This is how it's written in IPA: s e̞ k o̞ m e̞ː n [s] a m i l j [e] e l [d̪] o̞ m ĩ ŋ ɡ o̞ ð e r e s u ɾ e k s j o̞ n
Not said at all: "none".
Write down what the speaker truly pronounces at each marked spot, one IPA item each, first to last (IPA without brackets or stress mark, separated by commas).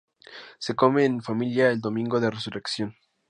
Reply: f, a, d̪